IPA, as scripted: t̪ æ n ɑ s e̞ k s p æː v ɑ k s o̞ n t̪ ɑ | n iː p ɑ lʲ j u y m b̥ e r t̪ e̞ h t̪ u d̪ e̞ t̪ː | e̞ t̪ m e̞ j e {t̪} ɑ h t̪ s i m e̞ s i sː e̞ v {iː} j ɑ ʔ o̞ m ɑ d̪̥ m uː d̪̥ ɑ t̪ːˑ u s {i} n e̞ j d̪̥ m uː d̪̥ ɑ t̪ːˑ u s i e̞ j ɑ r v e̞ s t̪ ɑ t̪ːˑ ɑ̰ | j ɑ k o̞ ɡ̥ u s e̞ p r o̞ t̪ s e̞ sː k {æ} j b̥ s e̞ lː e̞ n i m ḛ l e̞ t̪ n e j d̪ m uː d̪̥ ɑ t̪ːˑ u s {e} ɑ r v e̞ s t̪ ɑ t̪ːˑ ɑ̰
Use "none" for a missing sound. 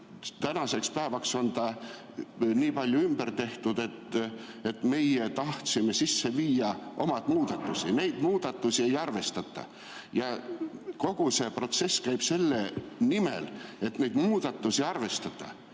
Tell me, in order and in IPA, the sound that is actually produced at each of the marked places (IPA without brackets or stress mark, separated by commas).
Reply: t̪, iː, i, æ, i